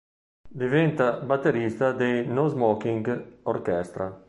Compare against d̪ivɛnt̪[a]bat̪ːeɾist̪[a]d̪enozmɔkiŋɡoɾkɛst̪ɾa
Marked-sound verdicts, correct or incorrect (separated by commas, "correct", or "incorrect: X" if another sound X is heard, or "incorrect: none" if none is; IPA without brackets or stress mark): correct, correct